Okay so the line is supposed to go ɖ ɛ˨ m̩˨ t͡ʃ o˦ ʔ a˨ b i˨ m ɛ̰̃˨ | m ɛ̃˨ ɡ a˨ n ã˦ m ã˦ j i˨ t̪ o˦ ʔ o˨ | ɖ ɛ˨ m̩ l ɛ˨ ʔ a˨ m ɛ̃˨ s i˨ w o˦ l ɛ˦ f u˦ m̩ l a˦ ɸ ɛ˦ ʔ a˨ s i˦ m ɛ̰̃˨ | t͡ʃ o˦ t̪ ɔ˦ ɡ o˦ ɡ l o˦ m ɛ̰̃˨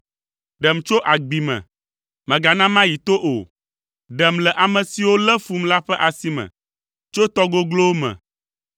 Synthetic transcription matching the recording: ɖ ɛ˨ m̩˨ t͡ʃ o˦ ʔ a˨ ɡ͡b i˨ m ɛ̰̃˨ | m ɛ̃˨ ɡ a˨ n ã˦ m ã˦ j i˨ t̪ o˦ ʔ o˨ | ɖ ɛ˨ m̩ l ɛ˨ ʔ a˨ m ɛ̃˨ s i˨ w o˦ l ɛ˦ f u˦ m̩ l a˦ ɸ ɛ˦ ʔ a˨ s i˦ m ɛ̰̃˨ | t͡ʃ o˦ t̪ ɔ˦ ɡ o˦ ɡ l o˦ m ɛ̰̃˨